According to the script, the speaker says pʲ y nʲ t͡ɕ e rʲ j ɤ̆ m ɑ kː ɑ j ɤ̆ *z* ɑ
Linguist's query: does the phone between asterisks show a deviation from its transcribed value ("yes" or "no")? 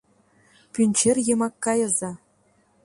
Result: no